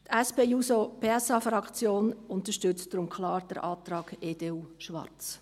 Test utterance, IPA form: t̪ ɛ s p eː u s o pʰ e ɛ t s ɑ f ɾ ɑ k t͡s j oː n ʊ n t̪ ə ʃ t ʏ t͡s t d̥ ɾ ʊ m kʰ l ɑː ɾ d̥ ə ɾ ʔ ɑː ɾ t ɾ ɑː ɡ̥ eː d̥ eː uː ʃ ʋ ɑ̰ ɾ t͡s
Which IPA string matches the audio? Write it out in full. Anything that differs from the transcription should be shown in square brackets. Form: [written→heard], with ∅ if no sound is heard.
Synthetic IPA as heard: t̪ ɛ s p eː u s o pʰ e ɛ [t→∅] s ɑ f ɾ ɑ k t͡s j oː n ʊ n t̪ ə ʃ t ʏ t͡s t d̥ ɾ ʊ m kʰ l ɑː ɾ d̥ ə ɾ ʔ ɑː [ɾ→∅] t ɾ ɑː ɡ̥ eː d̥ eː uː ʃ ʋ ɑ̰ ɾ t͡s